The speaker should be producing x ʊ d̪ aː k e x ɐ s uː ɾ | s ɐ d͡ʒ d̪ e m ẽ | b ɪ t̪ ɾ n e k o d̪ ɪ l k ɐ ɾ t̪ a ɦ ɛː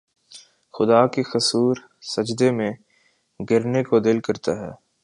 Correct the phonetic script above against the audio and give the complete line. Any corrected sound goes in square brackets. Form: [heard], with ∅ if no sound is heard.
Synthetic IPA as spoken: x ʊ d̪ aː k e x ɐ s uː ɾ | s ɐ d͡ʒ d̪ e m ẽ | [ɡ] ɪ [∅] ɾ n e k o d̪ ɪ l k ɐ ɾ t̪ a ɦ ɛː